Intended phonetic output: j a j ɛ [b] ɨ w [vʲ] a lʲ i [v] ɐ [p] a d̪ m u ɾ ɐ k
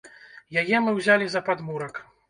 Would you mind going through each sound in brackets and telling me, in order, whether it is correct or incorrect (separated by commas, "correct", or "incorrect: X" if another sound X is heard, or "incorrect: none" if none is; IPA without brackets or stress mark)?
incorrect: m, incorrect: zʲ, incorrect: z, correct